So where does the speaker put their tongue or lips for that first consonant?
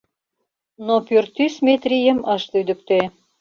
tongue tip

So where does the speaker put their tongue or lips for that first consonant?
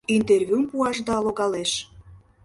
tongue tip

